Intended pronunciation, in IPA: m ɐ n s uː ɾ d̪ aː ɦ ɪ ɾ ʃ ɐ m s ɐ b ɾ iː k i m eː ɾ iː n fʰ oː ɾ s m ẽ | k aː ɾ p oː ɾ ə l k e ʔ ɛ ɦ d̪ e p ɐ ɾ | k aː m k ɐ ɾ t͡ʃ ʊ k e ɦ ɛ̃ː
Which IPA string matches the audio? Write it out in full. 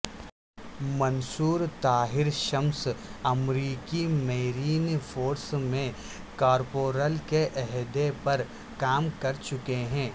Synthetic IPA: m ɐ n s uː ɾ t̪ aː ɦ ɪ ɾ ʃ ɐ m s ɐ m ɾ iː k i m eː ɾ iː n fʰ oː ɾ s m ẽ | k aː ɾ p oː ɾ ə l k e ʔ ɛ ɦ d̪ e p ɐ ɾ | k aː m k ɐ ɾ t͡ʃ ʊ k e ɦ ɛ̃ː